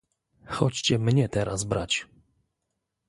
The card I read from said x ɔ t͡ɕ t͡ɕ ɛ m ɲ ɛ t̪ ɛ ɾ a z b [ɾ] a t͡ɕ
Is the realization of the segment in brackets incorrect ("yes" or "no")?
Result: no